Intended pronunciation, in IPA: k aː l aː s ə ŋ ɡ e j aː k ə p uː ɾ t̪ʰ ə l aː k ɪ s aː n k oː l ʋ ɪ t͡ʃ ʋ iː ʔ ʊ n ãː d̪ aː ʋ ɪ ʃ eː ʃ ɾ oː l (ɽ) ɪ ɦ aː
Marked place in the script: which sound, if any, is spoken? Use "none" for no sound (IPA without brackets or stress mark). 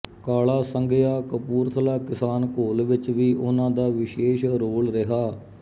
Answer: ɾ